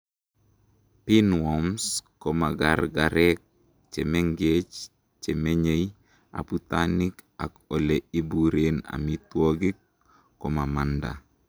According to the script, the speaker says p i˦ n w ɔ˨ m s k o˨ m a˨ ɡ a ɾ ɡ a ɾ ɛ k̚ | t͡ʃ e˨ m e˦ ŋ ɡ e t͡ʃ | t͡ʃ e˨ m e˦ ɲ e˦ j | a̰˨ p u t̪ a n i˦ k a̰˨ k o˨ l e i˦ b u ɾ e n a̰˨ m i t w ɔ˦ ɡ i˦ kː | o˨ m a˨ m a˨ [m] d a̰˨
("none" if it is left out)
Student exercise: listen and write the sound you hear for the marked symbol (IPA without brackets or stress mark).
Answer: n